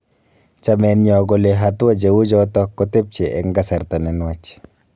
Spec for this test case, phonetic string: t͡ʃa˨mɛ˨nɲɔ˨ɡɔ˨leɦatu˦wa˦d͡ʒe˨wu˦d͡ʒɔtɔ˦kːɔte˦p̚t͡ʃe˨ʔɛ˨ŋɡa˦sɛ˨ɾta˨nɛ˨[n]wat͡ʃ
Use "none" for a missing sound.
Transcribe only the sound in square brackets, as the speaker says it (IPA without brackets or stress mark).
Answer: n